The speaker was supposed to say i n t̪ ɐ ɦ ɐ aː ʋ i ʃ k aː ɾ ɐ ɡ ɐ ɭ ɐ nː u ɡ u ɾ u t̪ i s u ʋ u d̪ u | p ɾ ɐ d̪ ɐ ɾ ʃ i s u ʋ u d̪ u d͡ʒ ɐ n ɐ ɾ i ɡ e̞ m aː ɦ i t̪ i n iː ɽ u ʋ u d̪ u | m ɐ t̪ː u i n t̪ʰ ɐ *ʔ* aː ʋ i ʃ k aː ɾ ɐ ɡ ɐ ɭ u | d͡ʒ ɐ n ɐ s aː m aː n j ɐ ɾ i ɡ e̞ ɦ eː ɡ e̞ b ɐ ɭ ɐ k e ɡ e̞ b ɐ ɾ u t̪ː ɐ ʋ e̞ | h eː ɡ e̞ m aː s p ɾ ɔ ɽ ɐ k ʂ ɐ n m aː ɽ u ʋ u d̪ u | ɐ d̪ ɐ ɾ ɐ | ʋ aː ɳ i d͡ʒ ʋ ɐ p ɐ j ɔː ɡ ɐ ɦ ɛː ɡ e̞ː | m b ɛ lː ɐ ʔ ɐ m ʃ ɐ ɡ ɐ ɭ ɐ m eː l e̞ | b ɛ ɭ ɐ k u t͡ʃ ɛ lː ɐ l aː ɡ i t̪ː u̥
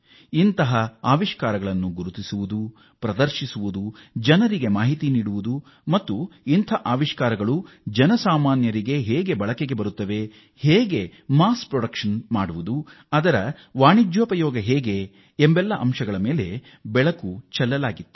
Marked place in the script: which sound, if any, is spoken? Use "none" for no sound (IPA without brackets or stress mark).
ʔ